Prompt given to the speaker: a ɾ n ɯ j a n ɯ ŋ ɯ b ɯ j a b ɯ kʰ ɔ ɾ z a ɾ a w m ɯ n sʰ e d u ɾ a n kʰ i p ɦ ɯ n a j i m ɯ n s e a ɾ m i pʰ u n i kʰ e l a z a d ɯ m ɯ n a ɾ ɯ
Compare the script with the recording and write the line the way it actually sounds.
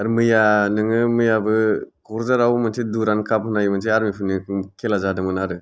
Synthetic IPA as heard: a ɾ m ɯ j a n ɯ ŋ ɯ m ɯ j a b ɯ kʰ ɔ ɾ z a ɾ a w m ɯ n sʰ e d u ɾ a n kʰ a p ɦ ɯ n a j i m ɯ n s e a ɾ m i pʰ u n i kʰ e l a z a d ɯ m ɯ n a ɾ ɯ